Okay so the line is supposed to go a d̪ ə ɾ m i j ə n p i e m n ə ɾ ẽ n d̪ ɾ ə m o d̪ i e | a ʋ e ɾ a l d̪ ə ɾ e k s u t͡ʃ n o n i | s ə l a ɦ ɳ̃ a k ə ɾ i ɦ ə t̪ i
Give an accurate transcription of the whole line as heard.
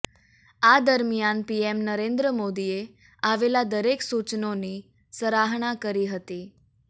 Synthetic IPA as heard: a d̪ ə ɾ m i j a n p i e m n ə ɾ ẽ n d̪ ɾ ə m o d̪ i e | a ʋ e l a d̪ ə ɾ e k s u t͡ʃ n o n i | s ə ɾ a ɦ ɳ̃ a k ə ɾ i ɦ ə t̪ i